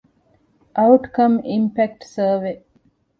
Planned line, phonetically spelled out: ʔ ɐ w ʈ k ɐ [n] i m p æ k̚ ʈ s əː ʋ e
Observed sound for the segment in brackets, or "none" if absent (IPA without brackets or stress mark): m